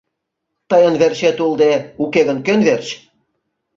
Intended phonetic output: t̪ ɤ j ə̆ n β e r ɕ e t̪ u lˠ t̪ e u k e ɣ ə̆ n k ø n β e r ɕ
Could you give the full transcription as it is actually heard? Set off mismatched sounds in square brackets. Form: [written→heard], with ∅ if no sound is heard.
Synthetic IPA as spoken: t̪ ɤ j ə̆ n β e r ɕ e t̪ u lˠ [t̪→d̪] e u k e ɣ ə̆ n k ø n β e r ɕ